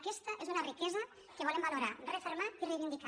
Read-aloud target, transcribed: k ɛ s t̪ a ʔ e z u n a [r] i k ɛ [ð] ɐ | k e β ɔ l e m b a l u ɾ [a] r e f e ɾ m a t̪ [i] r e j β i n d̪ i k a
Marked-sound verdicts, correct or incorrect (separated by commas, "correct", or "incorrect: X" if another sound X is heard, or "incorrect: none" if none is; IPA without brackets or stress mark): correct, incorrect: z, correct, correct